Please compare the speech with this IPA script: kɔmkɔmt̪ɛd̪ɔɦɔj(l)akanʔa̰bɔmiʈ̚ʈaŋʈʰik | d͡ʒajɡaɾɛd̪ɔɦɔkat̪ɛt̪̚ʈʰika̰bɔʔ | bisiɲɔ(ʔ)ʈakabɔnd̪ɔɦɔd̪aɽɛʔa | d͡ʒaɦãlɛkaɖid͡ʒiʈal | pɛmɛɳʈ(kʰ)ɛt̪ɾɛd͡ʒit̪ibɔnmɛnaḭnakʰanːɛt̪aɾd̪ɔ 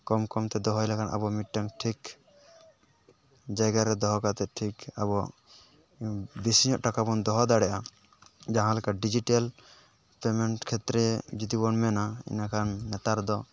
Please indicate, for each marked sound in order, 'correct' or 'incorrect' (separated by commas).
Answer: correct, correct, correct